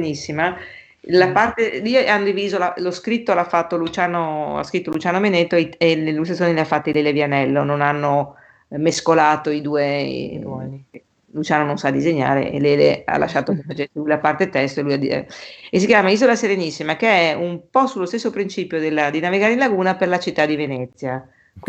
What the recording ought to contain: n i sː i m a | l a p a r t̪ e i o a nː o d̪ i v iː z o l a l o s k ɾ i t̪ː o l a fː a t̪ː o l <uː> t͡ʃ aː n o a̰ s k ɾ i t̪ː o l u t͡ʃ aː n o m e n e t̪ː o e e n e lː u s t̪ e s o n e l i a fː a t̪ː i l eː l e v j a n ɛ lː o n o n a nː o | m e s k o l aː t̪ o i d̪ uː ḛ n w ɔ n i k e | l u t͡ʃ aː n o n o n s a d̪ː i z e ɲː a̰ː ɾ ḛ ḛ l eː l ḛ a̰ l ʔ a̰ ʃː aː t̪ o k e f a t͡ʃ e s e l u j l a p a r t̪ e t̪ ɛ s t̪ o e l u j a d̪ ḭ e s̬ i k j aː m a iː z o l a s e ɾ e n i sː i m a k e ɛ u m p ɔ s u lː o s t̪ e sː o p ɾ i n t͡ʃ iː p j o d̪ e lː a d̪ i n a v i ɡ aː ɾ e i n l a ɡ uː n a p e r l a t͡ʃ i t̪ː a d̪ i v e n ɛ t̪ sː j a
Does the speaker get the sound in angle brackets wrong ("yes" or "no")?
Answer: yes